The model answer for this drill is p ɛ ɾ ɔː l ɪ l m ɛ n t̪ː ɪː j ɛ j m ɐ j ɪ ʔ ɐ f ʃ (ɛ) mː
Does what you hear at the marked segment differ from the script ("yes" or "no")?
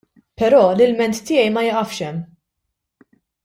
no